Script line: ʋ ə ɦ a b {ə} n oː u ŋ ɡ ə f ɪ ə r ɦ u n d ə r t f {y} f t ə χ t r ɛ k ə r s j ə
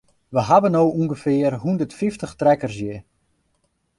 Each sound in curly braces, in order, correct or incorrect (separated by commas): correct, incorrect